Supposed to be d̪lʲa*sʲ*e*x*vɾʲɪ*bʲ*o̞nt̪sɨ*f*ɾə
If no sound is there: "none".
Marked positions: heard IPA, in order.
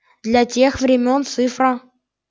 tʲ, x, mʲ, f

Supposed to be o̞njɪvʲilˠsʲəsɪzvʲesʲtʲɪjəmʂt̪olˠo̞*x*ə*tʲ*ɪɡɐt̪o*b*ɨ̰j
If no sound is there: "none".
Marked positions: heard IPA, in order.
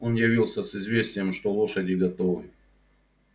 ʂ, dʲ, v

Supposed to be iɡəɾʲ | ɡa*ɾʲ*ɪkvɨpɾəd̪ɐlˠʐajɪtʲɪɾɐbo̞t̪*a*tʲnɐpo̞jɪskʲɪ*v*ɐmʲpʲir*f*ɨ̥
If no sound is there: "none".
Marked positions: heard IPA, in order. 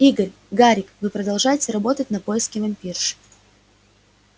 ɾʲ, ə, v, ʂ

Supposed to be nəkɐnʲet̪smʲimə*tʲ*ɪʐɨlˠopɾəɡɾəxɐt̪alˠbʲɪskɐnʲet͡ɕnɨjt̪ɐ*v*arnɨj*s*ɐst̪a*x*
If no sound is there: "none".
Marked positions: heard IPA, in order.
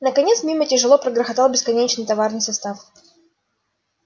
tʲ, v, s, f

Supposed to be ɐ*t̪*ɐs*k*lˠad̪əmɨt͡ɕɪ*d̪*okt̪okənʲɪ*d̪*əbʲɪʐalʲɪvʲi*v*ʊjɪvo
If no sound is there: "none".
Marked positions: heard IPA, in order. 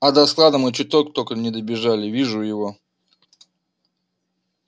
d̪, k, t̪, d̪, ʐ

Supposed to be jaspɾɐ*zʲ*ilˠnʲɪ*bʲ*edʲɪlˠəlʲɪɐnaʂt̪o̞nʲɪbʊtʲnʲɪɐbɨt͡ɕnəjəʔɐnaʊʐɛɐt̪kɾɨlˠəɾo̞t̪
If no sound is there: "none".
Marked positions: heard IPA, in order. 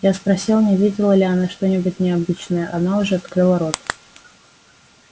sʲ, vʲ

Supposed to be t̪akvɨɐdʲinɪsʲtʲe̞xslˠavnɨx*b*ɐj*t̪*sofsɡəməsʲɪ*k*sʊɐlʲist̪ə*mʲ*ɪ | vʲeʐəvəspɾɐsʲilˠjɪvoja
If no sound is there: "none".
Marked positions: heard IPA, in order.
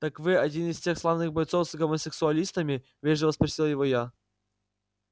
b, t̪, k, mʲ

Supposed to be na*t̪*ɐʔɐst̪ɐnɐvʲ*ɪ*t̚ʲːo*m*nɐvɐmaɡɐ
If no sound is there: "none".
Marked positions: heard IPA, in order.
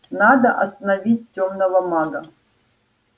d̪, i, m

